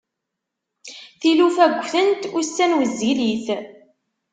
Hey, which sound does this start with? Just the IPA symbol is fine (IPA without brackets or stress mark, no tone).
θ